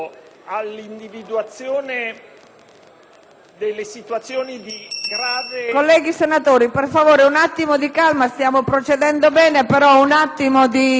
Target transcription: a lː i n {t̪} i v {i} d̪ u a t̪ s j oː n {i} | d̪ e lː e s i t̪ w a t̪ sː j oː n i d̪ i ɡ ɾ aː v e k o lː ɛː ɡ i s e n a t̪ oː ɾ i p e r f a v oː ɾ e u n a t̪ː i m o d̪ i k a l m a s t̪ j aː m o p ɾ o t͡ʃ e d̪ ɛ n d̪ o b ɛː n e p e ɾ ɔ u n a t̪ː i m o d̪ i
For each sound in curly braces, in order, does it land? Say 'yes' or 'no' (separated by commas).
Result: no, yes, no